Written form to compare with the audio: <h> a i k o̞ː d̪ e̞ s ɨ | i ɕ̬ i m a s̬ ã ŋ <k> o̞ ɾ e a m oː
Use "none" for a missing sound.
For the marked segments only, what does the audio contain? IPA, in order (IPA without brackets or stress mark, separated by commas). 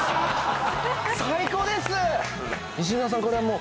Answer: s, k